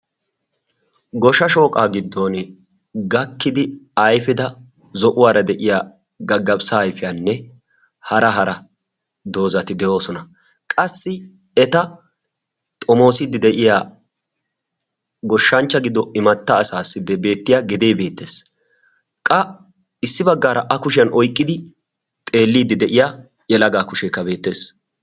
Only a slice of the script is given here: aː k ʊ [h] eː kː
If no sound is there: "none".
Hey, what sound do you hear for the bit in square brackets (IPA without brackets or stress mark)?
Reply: ʃ